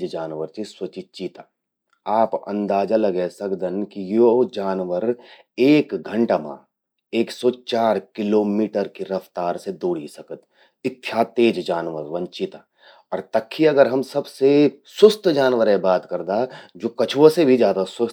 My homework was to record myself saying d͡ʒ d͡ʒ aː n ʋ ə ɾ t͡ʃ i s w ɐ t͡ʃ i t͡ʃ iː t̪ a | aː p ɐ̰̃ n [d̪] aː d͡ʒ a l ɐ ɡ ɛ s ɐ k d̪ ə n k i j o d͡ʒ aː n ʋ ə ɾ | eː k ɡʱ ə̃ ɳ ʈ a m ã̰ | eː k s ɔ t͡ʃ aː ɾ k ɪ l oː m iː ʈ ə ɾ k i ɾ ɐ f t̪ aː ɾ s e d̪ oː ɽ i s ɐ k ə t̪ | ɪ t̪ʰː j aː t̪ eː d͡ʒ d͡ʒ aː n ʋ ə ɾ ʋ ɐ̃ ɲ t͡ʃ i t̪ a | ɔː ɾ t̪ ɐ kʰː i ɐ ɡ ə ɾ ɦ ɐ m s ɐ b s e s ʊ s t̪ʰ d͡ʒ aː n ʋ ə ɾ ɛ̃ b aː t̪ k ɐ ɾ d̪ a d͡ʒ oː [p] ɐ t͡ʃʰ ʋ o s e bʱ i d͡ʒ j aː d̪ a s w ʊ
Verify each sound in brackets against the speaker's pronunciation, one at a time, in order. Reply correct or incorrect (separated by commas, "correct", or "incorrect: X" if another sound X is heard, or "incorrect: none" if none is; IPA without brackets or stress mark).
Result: correct, incorrect: k